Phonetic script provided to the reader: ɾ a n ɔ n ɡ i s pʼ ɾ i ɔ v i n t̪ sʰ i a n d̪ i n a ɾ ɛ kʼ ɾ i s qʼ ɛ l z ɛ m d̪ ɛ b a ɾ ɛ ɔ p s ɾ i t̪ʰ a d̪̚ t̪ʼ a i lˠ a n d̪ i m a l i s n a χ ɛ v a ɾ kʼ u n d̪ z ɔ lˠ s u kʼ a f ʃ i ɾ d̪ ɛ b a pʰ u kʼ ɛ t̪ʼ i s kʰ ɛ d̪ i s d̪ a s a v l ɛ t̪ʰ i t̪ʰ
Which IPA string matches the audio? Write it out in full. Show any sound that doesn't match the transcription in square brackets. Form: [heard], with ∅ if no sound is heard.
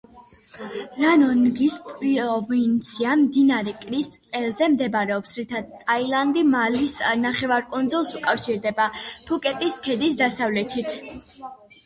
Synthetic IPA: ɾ a n ɔ n ɡ i s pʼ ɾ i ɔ v i n t̪ sʰ i a [m] d̪ i n a ɾ ɛ kʼ ɾ i s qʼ ɛ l z ɛ m d̪ ɛ b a ɾ ɛ ɔ p s ɾ i t̪ʰ a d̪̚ t̪ʼ a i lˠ a n d̪ i m a l i s n a χ ɛ v a ɾ kʼ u n d̪ z ɔ lˠ s u kʼ a f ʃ i ɾ d̪ ɛ b a pʰ u kʼ ɛ t̪ʼ i s kʰ ɛ d̪ i s d̪ a s a v l ɛ t̪ʰ i t̪ʰ